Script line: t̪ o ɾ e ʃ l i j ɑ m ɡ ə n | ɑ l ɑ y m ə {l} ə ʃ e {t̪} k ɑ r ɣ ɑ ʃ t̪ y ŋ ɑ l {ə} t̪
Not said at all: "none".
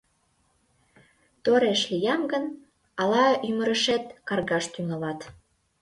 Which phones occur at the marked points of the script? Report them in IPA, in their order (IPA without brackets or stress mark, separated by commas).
ɾ, t̪, ɑ